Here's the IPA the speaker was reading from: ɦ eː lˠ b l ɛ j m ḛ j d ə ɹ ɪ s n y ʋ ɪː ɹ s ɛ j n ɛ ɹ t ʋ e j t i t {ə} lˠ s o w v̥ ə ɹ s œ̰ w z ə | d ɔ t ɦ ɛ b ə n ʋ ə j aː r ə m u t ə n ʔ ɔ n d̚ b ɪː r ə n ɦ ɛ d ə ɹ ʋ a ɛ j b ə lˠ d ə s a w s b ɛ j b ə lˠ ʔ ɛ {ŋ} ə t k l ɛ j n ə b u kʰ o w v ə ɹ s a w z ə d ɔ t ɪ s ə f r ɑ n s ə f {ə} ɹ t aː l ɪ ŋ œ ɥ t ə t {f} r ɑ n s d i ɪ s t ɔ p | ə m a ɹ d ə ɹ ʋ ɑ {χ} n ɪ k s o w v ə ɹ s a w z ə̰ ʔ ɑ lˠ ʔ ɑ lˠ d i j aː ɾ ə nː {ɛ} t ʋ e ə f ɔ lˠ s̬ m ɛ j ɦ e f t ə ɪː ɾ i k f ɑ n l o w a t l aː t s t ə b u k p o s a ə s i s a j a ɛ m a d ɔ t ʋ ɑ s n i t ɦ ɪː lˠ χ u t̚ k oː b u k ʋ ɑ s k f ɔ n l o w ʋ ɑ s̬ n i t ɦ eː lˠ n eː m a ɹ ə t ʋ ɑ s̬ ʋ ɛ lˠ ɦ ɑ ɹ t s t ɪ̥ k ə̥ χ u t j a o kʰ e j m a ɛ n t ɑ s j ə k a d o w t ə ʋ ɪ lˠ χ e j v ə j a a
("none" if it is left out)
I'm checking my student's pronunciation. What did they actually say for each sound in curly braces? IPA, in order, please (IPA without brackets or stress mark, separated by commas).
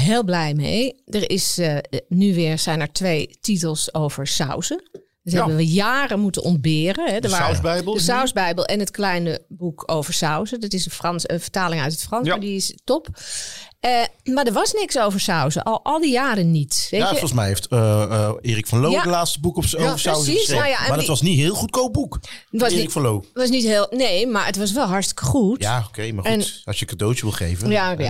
ə, n, ə, f, s, i